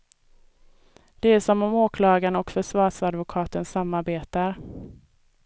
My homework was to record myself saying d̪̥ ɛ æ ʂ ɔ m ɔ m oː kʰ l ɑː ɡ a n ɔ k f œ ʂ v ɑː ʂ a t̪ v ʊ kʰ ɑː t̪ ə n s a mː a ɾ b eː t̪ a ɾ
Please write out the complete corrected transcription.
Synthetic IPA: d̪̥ ɛ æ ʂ ɔ m ɔ m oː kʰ l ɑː ɡ a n ɔ k f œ ʂ v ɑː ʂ a d̪ v ʊ kʰ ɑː t̪ ə n s a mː a ɾ b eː t̪ a ɾ